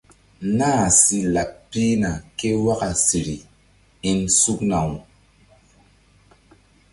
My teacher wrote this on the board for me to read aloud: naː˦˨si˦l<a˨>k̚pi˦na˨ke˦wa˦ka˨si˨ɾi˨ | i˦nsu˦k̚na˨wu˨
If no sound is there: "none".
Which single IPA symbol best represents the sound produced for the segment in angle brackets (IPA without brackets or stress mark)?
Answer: a˨